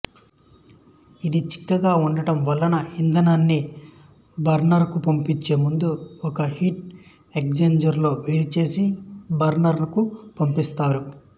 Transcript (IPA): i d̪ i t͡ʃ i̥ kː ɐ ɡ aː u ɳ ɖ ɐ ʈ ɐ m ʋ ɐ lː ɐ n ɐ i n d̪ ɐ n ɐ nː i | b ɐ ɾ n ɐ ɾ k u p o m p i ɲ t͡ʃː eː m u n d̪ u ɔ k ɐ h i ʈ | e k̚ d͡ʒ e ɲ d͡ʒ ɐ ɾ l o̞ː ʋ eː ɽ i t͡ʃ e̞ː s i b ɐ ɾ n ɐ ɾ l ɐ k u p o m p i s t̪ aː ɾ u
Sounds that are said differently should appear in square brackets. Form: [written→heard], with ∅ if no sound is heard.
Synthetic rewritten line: i d̪ i t͡ʃ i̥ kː ɐ ɡ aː u ɳ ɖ ɐ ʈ ɐ m ʋ ɐ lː ɐ n ɐ i n d̪ ɐ n ɐ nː i | b ɐ ɾ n ɐ ɾ k u p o m p i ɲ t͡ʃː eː m u n d̪ u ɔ k ɐ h i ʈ | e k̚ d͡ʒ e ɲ d͡ʒ ɐ ɾ l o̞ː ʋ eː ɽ i t͡ʃ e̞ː s i b ɐ ɾ n ɐ ɾ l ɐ k u p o m p i s t̪ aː ɾ u